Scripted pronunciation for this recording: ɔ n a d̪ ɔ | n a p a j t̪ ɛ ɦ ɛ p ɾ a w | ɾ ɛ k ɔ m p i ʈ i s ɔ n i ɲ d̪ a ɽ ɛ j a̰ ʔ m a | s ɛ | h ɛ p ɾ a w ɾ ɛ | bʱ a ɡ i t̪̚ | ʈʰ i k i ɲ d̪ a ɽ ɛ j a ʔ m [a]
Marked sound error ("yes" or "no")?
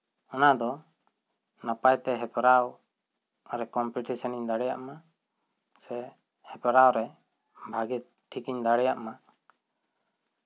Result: no